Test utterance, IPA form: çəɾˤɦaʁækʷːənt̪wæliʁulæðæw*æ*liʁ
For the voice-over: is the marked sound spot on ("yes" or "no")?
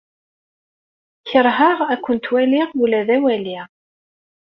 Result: yes